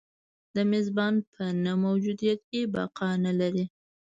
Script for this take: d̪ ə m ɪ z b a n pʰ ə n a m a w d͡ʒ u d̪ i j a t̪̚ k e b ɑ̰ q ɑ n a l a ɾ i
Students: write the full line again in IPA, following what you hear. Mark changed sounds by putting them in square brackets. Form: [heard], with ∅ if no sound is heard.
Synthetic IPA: d̪ ə m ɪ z b [ɑ] n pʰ ə n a m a w d͡ʒ u d̪ i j a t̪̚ k e b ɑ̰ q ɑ n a l a ɾ i

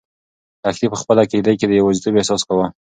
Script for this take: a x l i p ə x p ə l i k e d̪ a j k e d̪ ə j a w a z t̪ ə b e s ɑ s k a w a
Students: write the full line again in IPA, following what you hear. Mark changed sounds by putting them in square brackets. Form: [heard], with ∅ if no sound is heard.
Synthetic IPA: a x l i p ə x p ə l [a] k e d̪ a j k e d̪ ə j a w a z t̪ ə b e s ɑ s k a w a

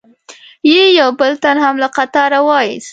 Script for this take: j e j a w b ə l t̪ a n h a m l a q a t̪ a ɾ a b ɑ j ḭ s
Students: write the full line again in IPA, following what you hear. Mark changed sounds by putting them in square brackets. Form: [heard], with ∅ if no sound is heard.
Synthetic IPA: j e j a w b ə l t̪ a n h a m l a q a t̪ [ɑ] ɾ a [w] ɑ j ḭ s

